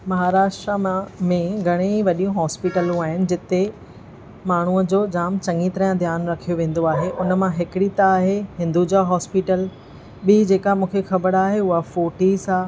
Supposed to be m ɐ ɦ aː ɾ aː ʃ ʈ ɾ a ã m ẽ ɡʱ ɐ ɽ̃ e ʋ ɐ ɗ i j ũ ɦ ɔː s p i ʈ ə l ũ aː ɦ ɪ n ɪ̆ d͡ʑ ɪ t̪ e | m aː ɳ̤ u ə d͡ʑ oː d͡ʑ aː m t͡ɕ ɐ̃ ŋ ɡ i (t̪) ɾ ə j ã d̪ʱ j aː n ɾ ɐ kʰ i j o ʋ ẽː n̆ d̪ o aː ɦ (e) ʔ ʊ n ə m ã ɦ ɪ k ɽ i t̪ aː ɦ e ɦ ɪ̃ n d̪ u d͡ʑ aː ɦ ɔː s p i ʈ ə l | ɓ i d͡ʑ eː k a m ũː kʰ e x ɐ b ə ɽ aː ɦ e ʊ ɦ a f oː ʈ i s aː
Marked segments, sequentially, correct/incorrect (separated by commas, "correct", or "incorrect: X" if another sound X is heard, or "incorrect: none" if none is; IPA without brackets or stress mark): correct, correct